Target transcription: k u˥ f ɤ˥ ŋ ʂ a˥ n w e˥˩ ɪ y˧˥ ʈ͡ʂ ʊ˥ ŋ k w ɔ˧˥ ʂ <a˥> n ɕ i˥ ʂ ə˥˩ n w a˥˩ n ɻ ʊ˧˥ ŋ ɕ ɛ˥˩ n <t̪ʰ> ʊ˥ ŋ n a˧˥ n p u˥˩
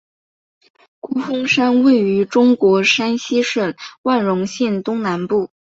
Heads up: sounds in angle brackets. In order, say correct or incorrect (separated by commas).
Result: correct, incorrect